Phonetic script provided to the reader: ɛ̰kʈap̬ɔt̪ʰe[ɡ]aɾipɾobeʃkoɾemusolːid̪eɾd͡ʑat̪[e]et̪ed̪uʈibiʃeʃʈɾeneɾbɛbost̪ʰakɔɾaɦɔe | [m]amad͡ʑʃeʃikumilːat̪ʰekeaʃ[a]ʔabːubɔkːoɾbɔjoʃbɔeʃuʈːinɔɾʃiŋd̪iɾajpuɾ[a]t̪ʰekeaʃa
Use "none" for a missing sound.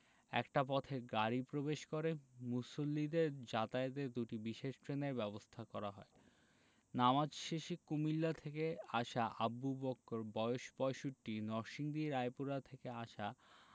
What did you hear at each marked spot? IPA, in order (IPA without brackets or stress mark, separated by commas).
ɡ, a, n, a, a